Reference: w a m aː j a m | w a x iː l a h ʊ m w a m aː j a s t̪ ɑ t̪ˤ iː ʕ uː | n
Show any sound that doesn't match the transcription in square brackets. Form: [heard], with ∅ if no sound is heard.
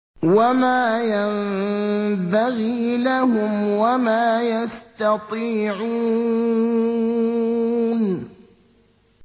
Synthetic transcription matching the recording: w a m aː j a m | [b] a [ɣ] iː l a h ʊ m w a m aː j a s t̪ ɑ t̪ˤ iː ʕ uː | n